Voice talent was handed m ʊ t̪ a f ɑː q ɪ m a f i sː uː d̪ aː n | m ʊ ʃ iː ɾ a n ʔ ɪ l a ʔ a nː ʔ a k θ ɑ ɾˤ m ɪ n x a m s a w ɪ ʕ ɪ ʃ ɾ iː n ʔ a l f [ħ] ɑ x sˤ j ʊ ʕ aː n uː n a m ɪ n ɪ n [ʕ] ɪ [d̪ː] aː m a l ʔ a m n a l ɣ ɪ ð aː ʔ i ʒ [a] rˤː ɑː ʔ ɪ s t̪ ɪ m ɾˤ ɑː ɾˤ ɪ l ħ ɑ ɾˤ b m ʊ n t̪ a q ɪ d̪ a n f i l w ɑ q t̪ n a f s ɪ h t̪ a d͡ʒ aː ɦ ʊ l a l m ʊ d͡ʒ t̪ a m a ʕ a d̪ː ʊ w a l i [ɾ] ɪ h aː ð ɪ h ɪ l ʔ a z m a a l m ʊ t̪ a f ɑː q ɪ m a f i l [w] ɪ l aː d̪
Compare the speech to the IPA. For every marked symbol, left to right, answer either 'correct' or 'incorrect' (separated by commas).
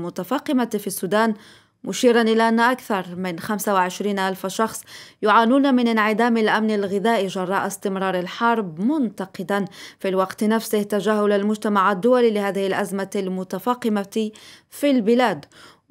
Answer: incorrect, correct, incorrect, incorrect, incorrect, incorrect